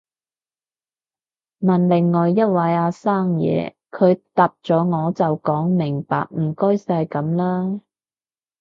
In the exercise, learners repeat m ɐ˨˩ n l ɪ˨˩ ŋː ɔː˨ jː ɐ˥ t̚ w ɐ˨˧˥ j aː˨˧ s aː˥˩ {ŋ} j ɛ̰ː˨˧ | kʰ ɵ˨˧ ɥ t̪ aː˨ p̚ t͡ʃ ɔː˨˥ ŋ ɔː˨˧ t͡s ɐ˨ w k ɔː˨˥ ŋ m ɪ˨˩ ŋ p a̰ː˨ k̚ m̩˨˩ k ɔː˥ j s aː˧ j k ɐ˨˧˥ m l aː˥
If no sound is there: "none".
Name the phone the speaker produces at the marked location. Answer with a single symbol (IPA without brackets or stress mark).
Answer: ŋ